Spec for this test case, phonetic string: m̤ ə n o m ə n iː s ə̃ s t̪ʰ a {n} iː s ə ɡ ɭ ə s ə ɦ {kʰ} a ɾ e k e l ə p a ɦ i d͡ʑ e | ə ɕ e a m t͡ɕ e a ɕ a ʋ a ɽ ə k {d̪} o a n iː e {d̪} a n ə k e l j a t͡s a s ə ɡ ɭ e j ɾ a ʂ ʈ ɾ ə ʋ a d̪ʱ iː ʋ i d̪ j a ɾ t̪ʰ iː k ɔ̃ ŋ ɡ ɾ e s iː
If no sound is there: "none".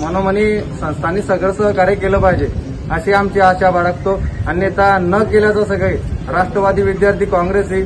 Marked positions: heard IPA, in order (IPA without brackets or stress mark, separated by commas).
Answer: n, k, t̪, t̪